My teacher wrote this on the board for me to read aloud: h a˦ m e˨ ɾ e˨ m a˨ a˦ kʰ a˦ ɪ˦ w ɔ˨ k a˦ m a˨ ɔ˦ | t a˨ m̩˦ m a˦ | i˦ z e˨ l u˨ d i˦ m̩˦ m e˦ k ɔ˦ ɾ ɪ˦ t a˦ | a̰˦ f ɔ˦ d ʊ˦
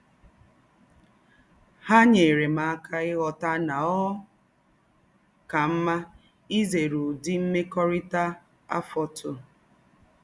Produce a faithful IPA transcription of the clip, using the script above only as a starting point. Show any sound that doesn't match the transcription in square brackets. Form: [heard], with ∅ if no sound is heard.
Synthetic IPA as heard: h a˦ [ɲ] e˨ ɾ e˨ m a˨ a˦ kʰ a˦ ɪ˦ [ɣ] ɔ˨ [t] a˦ [n] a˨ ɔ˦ | [k] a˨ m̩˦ m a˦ | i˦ z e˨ [ɾ] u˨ d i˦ m̩˦ m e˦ k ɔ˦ ɾ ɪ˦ t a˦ | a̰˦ f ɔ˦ [t] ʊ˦